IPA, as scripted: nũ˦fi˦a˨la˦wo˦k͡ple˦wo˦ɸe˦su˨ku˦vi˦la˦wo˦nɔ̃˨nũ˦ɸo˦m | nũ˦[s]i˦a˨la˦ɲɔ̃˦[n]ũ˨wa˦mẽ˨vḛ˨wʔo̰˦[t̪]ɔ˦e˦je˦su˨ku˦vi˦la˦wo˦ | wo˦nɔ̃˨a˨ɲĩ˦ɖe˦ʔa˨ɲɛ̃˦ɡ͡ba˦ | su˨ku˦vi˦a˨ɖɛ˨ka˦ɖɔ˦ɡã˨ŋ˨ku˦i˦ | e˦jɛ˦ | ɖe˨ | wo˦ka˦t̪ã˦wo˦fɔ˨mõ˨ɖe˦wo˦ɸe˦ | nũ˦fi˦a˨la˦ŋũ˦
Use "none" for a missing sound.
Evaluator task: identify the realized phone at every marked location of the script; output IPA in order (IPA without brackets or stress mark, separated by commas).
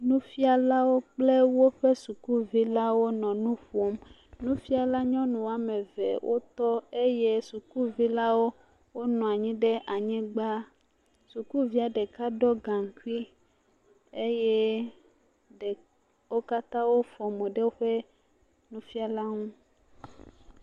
f, n, t̪